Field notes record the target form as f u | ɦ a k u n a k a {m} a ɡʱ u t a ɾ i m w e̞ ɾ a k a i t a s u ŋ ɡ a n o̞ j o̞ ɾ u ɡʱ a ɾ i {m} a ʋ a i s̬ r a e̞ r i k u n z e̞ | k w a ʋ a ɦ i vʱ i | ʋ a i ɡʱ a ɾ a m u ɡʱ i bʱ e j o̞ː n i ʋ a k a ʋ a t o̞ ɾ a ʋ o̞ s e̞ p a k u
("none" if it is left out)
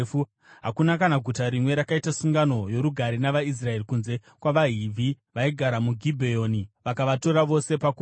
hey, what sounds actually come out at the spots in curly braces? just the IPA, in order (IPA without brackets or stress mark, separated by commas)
n, n